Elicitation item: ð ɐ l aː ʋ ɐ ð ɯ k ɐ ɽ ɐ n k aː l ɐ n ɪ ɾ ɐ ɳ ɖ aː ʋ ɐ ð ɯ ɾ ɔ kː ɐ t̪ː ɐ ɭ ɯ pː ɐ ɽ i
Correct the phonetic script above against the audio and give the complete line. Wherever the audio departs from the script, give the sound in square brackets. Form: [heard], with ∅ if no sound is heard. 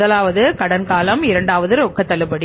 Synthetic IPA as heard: ð ɐ l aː ʋ ɐ ð ɯ k ɐ ɽ ɐ n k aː l ɐ [m] ɪ ɾ ɐ ɳ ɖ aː ʋ ɐ ð ɯ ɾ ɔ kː ɐ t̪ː ɐ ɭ ɯ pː ɐ ɽ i